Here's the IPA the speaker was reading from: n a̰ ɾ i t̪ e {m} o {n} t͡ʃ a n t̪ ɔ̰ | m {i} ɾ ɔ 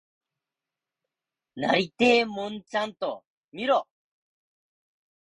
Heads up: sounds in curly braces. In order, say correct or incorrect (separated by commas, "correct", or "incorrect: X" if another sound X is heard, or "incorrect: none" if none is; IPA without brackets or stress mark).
correct, correct, correct